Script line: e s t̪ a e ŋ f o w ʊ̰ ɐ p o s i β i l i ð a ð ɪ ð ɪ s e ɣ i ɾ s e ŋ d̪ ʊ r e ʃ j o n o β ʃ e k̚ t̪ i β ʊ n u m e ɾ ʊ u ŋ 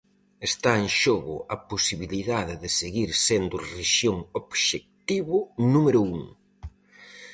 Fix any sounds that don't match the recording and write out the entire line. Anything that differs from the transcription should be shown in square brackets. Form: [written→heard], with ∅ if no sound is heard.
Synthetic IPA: e s t̪ a e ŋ [f→ʃ] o [w→ɣ] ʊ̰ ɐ p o s i β i l i ð a ð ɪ ð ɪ s e ɣ i ɾ s e [ŋ→n] d̪ ʊ r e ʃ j o [n→ŋ] o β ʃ e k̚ t̪ i β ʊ n u m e ɾ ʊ u ŋ